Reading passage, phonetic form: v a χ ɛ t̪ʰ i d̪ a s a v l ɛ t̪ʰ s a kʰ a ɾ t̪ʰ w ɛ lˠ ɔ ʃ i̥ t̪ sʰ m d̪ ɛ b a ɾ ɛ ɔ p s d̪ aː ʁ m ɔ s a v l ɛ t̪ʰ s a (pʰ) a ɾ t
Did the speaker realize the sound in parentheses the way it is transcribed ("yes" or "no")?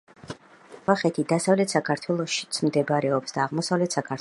no